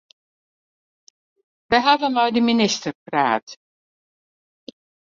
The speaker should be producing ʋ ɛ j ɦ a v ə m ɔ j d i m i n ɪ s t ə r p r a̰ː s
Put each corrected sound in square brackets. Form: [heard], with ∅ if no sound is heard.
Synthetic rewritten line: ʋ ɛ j ɦ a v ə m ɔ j d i m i n ɪ s t ə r p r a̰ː [t]